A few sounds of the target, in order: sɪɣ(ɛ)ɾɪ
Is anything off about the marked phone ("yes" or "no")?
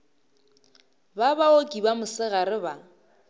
yes